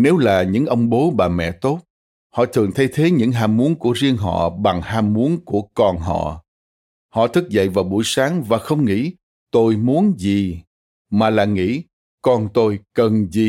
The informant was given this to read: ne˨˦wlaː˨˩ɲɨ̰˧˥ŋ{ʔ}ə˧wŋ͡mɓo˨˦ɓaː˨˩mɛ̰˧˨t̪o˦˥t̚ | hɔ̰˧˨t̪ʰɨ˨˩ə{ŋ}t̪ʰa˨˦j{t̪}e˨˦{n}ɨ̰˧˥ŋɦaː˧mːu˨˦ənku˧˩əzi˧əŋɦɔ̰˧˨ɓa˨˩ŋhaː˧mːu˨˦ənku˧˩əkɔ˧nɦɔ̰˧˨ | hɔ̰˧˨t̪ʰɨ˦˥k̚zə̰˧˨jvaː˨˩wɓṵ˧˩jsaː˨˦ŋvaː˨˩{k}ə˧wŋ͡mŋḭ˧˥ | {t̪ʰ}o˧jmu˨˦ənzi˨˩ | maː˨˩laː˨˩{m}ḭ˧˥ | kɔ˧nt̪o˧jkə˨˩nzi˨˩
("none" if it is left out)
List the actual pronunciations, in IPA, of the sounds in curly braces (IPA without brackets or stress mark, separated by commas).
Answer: ʔ, ŋ, t̪ʰ, ɲ, x, t̪, ŋ